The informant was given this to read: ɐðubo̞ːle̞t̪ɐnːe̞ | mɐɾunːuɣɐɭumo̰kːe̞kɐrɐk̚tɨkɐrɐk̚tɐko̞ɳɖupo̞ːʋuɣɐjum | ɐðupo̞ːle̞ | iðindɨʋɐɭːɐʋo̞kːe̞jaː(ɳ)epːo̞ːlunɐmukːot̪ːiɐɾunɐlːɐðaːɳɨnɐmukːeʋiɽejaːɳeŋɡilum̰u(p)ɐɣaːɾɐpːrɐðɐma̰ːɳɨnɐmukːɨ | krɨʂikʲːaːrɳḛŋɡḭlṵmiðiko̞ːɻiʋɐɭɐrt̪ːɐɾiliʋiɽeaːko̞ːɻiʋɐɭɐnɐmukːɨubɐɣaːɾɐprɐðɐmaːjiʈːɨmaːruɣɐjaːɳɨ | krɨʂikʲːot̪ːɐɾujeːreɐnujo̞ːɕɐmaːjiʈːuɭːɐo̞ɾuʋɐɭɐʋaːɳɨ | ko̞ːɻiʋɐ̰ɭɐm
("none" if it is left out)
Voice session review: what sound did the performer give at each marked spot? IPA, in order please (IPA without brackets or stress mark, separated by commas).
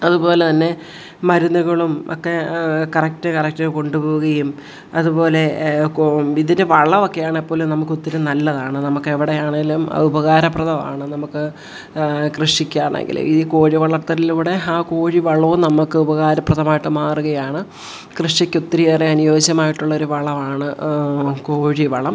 ɳ, b